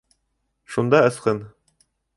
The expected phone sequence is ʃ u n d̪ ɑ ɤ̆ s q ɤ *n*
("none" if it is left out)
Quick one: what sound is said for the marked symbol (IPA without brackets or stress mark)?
n